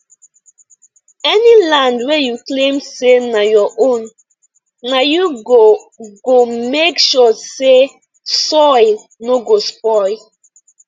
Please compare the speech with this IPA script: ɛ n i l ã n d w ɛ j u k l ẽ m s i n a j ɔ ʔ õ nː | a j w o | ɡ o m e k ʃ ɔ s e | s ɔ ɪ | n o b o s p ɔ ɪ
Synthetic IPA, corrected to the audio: ɛ n i l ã n d w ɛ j u k l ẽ m s e n a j ɔ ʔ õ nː | a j u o | ɡ o m e k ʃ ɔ s e | s ɔ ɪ | n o ɡ o s p ɔ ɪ